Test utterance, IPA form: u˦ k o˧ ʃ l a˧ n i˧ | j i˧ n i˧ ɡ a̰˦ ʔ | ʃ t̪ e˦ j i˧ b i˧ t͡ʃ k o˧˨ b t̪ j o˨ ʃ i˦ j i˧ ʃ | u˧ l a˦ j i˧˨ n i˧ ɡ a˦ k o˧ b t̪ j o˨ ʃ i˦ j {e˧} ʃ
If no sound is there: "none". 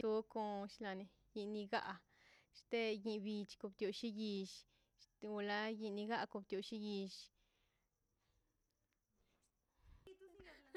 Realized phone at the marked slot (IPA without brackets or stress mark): i˧